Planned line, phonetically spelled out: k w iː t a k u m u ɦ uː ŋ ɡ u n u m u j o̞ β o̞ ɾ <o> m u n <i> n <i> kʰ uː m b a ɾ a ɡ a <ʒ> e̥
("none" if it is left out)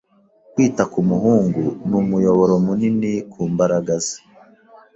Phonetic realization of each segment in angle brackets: o, i, i, z

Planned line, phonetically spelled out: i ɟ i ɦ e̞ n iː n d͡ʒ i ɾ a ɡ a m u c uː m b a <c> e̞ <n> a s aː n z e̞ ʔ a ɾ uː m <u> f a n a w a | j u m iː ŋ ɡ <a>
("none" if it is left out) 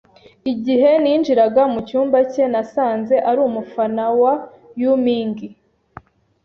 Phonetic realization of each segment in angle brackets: c, n, u, i

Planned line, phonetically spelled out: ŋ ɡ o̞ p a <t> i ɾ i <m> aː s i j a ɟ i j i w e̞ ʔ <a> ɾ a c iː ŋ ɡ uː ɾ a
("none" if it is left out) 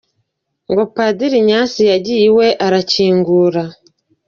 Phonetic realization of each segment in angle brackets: d, ɲ, a

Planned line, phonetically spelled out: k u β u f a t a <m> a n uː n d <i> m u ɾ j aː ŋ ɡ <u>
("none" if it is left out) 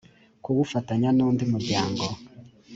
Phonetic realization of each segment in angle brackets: ɲ, i, o

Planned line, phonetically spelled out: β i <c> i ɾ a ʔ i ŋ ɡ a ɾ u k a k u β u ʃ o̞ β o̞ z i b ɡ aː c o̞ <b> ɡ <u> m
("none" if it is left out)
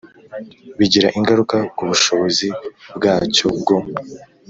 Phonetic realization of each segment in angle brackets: ɟ, b, o

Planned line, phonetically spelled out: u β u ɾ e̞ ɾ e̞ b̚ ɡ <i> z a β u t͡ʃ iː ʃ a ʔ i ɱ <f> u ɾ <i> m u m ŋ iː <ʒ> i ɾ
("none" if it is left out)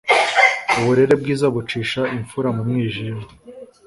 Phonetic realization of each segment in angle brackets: iː, f, a, ʒ

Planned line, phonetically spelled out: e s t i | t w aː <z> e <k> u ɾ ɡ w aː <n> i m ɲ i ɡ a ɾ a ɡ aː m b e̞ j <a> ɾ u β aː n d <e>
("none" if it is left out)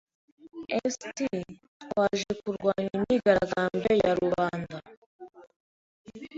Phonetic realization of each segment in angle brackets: ʒ, k, ɲ, a, a

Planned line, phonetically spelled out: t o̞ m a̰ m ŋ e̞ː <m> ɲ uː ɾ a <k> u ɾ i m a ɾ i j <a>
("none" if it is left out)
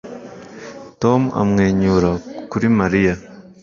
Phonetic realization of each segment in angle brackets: none, k, a

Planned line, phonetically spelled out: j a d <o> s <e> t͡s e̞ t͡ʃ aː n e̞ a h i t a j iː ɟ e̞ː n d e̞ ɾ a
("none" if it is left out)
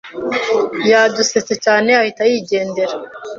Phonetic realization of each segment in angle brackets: u, e

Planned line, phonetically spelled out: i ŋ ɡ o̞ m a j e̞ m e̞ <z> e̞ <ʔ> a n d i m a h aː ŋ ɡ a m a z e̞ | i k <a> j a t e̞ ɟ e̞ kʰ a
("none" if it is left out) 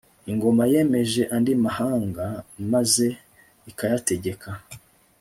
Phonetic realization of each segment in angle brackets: ʒ, ʔ, a

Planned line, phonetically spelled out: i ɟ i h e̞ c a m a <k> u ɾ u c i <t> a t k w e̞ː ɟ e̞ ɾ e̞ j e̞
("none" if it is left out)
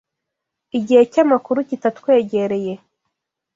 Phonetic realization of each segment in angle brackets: k, t

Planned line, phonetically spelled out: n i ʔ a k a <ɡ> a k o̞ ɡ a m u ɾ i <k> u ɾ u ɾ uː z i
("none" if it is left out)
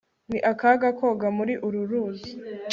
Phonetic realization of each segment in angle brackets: ɡ, ʔ

